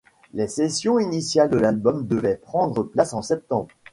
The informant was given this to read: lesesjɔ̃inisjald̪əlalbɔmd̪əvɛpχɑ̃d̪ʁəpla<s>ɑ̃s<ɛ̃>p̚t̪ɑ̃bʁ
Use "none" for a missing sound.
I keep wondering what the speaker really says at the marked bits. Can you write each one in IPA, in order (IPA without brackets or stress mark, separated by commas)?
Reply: s, ɛ